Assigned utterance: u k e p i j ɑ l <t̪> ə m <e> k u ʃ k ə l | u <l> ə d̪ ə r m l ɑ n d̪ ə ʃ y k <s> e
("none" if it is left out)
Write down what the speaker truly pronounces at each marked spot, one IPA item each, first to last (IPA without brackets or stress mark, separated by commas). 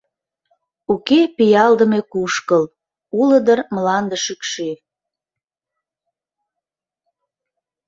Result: d̪, e, l, ʃ